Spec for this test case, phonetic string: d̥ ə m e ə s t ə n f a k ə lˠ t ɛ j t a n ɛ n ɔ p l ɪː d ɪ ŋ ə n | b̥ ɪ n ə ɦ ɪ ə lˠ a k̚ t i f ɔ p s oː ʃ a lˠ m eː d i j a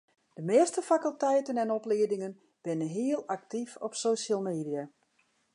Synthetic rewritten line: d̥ ə m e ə s t ə f a k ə lˠ t ɛ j t ə n ɛ n ɔ p l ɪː d ɪ ŋ ə n | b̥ ɪ n ə ɦ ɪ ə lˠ a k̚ t i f ɔ p s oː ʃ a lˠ m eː d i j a